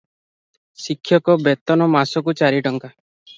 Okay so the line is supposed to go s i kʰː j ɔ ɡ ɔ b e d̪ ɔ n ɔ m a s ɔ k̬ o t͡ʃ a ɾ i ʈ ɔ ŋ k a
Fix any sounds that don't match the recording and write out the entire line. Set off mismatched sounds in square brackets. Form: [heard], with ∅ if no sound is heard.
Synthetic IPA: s i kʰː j ɔ [k] ɔ b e [t̪] ɔ n ɔ m a s ɔ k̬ [u] t͡ʃ a ɾ i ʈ ɔ ŋ k a